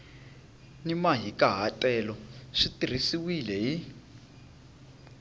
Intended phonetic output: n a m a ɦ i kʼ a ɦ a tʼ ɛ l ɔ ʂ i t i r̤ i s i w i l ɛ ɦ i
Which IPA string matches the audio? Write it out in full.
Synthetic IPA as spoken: n i m a ɦ i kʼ a ɦ a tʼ ɛ l ɔ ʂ i t i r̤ i s i w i l ɛ ɦ i

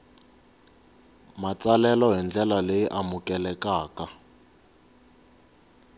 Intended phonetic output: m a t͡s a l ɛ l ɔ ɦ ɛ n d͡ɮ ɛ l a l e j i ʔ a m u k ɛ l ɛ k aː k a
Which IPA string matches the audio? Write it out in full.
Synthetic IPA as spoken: m a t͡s a l ɛ l ɔ ɦ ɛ n d͡ɮ ɛ l a l e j i ʔ a m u k ɛ l ɛ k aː k a

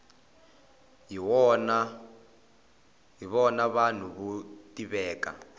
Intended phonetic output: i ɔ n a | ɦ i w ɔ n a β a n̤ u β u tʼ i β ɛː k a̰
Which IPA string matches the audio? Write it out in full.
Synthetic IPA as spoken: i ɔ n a | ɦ i β ɔ n a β a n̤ u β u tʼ i β ɛː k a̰

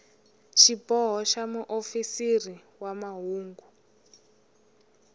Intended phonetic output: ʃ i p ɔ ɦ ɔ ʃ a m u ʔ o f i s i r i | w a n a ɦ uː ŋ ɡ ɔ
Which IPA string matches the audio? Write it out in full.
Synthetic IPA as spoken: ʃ i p ɔ ɦ ɔ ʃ a m u ʔ o f i s i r i | w a m a ɦ uː ŋ ɡ u

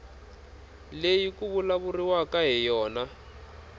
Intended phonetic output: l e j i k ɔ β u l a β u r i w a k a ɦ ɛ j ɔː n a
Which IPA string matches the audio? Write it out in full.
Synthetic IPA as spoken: l e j i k u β u l a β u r i w a k a ɦ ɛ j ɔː n a

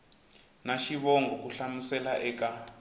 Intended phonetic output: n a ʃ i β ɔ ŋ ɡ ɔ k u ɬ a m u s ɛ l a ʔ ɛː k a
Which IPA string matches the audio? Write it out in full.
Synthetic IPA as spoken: n a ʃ i β ɔ ŋ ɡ ɔ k u ɬ a m u s ɛ l a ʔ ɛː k a

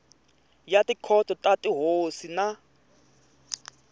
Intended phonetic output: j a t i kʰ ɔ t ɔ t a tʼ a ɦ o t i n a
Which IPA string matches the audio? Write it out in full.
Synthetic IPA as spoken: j a t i kʰ ɔ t ɔ t a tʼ i ɦ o s i n a

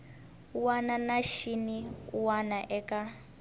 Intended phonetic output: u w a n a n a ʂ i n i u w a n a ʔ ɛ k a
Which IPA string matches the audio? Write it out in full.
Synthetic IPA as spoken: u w a n a n a ʃ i n i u w a n a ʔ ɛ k a

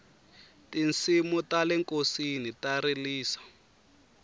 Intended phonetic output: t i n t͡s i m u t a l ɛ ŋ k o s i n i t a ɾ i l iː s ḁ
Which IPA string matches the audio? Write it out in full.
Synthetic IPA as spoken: t i n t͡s i m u t a l ɛ ŋ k o s i n i t a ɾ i l iː s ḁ

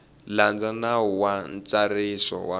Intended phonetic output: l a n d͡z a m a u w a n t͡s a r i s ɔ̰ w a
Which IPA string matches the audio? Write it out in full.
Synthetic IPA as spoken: l a n d͡z a n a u w a n t͡s a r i s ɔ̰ w a

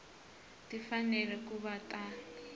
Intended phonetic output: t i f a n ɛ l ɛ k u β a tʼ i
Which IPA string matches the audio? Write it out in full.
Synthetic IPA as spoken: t i f a n ɛ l ɛ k u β a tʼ a

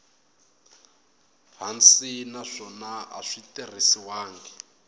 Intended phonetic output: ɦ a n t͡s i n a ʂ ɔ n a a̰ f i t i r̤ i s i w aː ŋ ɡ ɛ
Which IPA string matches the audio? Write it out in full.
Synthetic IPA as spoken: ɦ a n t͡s i n a ʂ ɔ n a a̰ ʂ i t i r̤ i s i w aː ŋ ɡ ɛ

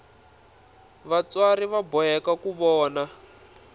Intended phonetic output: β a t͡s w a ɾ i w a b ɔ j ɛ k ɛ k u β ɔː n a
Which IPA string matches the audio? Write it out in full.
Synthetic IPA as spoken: β a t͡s w a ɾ i β a b ɔ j ɛ k a k u β ɔː n a

